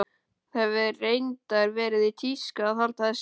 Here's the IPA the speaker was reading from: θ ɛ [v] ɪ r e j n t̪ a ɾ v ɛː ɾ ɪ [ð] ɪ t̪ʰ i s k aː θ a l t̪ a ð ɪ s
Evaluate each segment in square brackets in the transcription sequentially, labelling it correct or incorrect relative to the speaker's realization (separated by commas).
correct, correct